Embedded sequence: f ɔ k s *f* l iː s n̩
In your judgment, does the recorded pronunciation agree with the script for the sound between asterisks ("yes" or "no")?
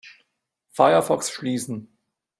no